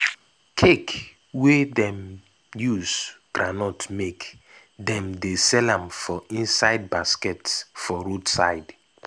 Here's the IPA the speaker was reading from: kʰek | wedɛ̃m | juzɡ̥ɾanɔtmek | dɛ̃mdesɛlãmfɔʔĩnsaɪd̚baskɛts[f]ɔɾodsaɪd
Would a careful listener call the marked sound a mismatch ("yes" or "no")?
no